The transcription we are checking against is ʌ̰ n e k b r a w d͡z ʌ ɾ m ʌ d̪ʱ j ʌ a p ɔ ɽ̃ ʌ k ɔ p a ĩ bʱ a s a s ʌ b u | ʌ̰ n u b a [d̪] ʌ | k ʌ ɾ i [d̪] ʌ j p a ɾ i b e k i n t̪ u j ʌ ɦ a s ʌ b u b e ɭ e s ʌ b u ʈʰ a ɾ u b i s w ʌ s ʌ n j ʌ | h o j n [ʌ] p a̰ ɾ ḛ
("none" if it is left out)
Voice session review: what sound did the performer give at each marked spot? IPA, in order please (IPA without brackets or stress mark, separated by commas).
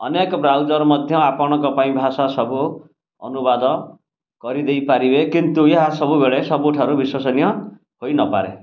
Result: d̪, d̪, ʌ